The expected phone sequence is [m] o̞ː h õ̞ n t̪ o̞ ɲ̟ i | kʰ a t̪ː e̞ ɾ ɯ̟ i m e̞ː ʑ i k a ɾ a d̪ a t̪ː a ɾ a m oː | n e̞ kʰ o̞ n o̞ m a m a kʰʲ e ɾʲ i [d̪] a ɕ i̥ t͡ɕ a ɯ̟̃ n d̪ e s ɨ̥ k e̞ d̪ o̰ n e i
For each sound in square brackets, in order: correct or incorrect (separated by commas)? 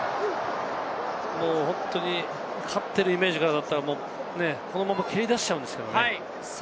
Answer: correct, correct